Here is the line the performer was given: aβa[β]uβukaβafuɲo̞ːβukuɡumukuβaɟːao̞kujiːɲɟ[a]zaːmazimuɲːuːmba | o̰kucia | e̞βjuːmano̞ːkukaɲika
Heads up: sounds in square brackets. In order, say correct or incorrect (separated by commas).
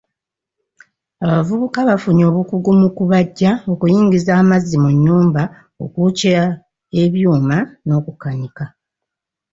incorrect, incorrect